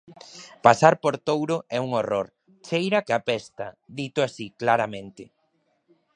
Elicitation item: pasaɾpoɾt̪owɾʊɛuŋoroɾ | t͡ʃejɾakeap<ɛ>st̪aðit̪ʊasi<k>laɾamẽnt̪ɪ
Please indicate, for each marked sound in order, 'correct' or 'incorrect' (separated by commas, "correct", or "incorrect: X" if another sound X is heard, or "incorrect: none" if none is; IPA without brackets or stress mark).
correct, correct